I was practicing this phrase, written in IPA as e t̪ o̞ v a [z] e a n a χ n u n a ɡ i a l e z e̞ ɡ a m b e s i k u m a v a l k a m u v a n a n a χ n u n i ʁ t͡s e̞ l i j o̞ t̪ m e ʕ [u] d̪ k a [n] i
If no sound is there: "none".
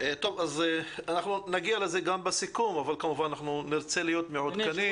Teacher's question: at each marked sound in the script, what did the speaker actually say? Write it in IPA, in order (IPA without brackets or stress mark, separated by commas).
z, o, n